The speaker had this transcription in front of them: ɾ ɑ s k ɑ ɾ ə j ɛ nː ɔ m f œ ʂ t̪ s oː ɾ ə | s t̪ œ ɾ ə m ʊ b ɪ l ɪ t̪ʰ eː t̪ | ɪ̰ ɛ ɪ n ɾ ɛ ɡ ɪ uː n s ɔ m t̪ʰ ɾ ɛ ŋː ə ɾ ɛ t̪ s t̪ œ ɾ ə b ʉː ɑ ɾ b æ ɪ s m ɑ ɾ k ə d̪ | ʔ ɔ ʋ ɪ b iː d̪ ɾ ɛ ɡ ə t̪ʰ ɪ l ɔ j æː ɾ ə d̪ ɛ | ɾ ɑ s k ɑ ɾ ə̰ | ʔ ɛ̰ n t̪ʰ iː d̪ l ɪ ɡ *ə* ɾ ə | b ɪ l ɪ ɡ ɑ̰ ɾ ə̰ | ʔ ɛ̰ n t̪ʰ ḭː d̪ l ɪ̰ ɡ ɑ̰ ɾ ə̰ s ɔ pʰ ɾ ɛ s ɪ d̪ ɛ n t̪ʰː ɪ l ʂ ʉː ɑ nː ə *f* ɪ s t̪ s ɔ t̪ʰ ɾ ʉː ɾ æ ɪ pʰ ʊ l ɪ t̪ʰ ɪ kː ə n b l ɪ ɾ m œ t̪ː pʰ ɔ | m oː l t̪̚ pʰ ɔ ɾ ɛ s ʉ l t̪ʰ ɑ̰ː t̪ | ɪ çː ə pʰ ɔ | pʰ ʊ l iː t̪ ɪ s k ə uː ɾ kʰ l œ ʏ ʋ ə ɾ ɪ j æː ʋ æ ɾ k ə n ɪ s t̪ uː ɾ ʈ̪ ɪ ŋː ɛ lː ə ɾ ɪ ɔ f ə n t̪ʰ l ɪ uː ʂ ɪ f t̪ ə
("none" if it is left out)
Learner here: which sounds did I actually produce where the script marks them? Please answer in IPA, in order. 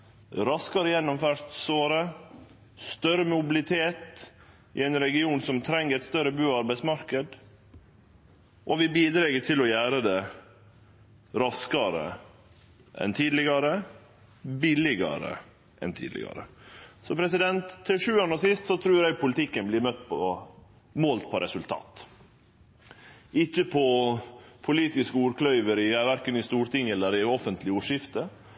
ɑ, s

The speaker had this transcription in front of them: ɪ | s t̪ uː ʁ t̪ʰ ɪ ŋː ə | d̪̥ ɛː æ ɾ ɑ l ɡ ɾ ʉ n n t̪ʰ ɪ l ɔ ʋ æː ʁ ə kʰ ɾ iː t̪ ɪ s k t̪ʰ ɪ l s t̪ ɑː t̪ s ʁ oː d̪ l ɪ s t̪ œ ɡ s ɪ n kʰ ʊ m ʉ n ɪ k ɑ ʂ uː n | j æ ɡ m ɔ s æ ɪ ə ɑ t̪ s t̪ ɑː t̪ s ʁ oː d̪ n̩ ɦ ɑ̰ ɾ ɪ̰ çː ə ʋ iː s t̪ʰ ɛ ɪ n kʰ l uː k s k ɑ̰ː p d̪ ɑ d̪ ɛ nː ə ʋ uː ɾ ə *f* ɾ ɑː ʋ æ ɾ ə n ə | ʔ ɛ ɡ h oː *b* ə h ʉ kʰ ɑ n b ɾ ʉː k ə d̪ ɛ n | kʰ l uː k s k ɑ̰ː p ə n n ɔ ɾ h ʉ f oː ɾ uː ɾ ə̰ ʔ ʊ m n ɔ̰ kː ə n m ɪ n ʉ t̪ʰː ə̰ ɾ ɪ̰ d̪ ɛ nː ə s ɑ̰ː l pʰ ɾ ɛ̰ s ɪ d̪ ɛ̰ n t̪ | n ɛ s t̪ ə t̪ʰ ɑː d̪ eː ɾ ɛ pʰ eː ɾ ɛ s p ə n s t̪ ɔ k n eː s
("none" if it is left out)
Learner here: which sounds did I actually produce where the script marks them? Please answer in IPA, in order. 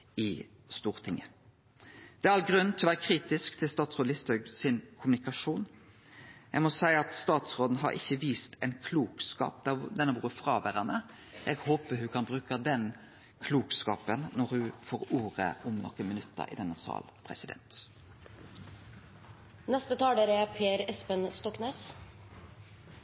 f, p

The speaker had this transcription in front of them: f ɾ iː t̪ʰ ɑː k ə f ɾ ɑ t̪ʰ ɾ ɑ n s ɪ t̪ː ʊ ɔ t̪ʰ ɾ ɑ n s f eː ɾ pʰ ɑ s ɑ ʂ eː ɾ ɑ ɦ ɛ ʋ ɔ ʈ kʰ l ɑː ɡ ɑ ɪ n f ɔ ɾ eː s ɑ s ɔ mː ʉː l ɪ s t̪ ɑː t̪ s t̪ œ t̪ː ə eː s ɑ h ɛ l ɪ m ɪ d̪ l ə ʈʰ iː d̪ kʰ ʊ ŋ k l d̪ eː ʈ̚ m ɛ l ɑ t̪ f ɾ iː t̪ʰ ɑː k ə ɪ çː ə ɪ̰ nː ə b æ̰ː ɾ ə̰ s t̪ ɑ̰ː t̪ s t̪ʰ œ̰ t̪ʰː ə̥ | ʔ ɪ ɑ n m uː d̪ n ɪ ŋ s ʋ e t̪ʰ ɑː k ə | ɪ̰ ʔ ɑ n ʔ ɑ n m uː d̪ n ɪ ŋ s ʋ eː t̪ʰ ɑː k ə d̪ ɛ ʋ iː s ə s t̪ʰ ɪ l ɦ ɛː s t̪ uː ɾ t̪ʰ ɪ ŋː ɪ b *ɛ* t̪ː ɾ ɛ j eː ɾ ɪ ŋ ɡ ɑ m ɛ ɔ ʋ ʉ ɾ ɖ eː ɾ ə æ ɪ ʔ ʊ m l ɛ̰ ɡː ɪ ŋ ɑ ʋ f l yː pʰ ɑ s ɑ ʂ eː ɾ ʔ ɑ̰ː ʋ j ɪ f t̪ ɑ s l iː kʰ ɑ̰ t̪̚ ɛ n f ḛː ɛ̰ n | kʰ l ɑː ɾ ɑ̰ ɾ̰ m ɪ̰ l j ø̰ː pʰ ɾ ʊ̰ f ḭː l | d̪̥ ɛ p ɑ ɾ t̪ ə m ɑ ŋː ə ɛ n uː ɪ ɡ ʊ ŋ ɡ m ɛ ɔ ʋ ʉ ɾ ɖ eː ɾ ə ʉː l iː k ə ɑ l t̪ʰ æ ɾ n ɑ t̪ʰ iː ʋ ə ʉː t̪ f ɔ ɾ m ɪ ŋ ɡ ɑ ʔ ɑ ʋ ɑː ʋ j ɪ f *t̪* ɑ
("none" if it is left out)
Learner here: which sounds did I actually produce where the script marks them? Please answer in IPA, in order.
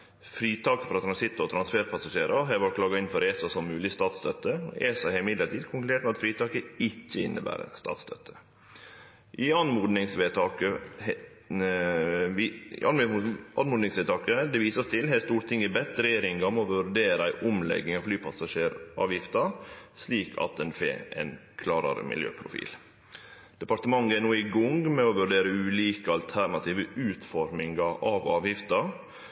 ɛ, t̪

